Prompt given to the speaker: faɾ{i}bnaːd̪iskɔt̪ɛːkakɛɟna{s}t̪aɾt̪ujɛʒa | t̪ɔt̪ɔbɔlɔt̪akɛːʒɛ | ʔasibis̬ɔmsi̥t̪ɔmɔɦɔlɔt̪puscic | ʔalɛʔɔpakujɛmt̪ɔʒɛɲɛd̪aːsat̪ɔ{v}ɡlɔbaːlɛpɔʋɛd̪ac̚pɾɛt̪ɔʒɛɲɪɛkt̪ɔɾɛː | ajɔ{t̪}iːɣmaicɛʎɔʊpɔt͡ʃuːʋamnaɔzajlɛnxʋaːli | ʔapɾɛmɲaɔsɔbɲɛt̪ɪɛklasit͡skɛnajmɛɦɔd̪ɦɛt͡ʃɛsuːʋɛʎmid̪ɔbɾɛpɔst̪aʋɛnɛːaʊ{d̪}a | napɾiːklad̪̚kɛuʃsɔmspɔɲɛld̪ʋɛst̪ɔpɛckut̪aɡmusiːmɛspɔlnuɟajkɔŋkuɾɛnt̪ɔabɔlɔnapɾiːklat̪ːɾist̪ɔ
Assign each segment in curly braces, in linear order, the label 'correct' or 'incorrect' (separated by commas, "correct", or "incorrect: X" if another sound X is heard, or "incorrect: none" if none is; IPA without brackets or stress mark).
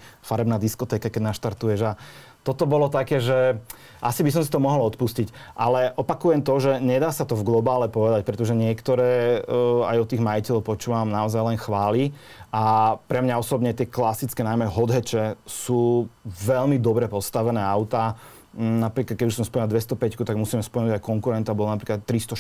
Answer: incorrect: ɛ, incorrect: ʃ, correct, correct, incorrect: t̪